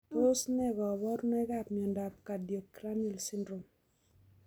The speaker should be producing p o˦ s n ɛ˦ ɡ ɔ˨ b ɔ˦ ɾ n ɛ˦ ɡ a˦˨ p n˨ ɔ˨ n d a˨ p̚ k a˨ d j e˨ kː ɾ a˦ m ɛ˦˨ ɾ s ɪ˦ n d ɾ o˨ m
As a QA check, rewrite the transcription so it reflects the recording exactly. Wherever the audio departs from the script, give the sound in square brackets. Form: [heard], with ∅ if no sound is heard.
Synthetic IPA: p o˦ s n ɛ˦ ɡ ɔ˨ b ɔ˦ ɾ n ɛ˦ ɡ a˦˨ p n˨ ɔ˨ n d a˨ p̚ k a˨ d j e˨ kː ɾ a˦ [n] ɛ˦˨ [l] s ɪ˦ n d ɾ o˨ m